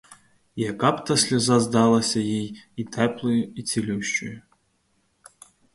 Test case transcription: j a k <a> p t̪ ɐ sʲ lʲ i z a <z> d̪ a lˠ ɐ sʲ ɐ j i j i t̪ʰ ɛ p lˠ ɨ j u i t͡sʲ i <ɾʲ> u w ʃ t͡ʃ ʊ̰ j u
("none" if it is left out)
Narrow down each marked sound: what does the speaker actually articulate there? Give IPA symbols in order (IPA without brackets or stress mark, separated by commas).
a, z, lʲ